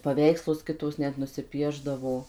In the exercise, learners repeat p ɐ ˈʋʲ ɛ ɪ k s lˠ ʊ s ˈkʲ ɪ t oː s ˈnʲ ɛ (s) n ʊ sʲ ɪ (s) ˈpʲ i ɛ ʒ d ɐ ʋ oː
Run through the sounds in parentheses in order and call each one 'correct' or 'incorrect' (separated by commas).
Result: incorrect, incorrect